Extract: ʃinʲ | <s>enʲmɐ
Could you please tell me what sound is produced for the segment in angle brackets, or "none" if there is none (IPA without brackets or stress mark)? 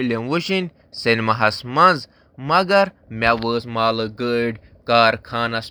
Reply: s